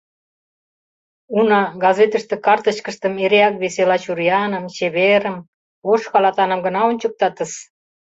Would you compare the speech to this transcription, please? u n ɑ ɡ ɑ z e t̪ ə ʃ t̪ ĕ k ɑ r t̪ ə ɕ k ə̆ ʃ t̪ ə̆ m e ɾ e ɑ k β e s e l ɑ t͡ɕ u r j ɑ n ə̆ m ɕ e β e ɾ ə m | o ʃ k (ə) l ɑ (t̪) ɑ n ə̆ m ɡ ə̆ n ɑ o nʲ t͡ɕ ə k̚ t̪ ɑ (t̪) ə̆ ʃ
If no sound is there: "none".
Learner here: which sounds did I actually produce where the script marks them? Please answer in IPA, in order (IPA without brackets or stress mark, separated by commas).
ɑ, t̪, t̪